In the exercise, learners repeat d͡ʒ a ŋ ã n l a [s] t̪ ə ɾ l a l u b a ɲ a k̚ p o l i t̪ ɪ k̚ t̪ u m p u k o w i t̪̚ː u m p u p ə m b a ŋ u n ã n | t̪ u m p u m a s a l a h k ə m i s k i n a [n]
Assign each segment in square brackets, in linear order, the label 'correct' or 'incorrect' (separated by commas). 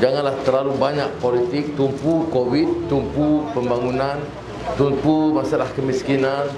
incorrect, correct